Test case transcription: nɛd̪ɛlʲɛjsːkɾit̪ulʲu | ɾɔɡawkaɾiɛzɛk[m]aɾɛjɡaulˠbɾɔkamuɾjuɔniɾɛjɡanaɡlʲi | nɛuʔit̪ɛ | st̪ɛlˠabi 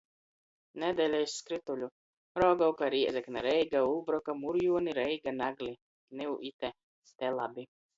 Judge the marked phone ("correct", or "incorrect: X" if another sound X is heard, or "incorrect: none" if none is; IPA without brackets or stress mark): incorrect: n